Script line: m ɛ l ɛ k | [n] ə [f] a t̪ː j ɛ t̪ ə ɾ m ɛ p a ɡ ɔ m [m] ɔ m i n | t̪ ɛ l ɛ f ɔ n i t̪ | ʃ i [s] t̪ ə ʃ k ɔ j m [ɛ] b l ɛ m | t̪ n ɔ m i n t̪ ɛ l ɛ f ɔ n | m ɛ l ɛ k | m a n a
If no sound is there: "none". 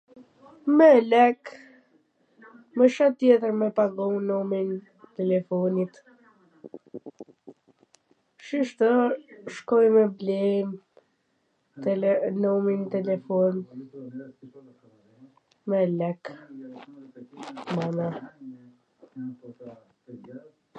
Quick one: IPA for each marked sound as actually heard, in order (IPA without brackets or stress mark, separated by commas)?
m, ʃ, n, ʃ, ɛ